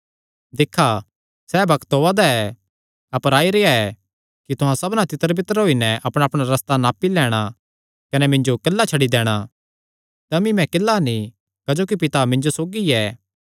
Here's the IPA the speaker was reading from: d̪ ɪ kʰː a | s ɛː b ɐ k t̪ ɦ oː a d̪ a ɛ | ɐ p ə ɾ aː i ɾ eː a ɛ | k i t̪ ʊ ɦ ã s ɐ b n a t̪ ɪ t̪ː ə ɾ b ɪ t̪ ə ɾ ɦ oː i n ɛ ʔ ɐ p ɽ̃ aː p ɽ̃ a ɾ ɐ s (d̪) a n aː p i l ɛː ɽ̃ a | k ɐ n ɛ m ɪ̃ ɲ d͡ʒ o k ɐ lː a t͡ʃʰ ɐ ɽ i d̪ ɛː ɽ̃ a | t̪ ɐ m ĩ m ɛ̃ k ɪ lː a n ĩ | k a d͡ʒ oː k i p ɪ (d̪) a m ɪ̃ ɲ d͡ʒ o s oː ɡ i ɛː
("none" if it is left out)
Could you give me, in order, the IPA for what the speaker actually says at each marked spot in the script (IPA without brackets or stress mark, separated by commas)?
t̪, t̪